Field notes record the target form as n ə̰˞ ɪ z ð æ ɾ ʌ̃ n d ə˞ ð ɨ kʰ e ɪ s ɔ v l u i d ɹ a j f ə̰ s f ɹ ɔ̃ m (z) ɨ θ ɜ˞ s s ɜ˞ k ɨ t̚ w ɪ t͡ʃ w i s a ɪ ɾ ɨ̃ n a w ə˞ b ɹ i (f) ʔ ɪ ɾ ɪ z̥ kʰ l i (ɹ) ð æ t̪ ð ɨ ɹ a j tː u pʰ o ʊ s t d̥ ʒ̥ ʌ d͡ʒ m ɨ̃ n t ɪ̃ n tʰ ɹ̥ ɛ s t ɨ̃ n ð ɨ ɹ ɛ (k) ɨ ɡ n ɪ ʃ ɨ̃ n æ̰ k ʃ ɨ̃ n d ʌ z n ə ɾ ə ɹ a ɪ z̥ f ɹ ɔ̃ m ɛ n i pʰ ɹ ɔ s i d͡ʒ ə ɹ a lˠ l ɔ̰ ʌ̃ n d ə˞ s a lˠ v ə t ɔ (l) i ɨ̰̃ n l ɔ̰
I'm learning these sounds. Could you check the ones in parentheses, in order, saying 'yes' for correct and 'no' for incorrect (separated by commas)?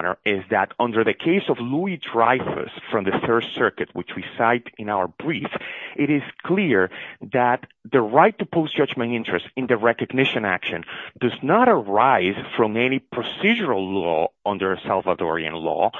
no, yes, yes, yes, no